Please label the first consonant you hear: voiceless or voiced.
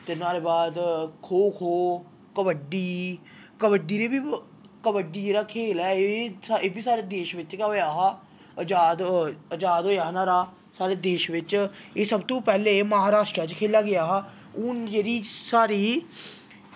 voiceless